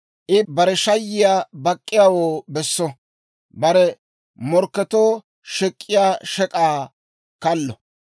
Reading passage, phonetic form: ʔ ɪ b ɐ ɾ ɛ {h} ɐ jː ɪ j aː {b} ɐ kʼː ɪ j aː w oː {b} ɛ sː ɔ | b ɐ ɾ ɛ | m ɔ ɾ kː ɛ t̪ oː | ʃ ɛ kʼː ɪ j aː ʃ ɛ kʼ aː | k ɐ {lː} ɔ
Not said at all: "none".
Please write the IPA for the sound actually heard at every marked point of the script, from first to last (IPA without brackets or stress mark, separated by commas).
ʃ, b, b, lː